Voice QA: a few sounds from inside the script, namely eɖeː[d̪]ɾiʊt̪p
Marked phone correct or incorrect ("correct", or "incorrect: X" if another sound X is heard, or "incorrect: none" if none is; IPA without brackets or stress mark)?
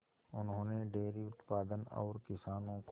incorrect: none